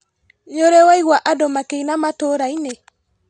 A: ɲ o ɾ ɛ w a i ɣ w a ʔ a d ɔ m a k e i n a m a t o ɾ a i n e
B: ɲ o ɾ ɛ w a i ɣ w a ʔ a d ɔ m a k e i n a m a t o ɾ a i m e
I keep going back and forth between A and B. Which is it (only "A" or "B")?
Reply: A